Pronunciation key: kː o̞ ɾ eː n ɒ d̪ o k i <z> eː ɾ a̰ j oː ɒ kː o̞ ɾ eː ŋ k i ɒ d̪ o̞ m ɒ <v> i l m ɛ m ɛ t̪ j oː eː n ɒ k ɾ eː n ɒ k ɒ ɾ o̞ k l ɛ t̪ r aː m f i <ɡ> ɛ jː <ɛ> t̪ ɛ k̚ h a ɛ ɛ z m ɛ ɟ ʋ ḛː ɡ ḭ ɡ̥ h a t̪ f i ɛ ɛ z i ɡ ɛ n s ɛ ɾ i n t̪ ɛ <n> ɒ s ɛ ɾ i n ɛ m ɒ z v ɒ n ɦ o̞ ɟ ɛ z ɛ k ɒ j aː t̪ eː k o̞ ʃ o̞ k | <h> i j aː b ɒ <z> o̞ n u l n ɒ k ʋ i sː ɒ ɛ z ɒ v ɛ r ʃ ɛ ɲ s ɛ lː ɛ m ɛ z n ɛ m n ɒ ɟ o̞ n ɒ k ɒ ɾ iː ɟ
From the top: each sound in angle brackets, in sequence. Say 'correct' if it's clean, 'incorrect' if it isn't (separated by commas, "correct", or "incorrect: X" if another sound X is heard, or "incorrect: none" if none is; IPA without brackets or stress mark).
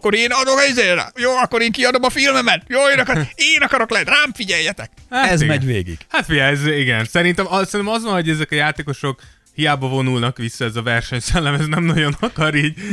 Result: correct, incorrect: f, incorrect: ɟ, correct, incorrect: m, correct, incorrect: v